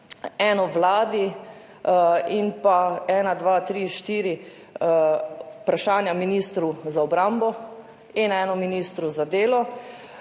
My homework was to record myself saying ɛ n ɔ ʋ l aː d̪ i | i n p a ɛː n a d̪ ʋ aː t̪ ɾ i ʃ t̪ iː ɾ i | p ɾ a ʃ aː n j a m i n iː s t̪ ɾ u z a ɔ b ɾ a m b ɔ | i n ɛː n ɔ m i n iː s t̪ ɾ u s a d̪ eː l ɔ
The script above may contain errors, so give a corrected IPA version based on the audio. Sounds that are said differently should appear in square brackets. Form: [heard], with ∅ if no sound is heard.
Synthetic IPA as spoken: ɛ n ɔ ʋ l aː d̪ i | i n p a ɛː n a d̪ ʋ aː t̪ ɾ i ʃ t̪ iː ɾ i | p ɾ a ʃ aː n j a m i n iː s t̪ ɾ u z a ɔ b ɾ a m b ɔ | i n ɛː n ɔ m i n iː s t̪ ɾ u [z] a d̪ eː l ɔ